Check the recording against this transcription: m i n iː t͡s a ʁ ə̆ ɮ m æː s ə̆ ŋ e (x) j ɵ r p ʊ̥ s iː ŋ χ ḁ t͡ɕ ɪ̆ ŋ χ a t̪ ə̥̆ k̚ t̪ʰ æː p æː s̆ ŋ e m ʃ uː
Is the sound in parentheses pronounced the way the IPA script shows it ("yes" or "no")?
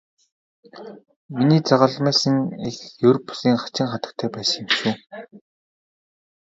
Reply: yes